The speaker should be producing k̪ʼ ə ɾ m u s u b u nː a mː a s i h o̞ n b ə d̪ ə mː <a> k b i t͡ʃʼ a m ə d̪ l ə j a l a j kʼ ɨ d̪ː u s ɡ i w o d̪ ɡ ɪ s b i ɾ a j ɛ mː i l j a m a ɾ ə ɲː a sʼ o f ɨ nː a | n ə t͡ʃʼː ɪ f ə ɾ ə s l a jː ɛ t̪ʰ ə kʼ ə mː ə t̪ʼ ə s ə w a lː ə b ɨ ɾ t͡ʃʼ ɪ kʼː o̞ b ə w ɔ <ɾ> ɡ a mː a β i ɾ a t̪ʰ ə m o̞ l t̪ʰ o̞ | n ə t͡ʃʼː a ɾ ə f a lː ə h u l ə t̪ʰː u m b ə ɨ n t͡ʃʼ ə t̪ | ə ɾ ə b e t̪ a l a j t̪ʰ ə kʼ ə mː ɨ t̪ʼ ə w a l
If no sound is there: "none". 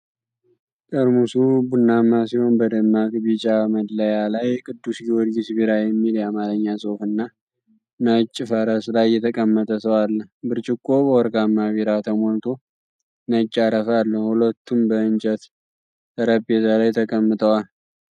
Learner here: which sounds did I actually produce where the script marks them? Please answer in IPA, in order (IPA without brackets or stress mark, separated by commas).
a, ɾ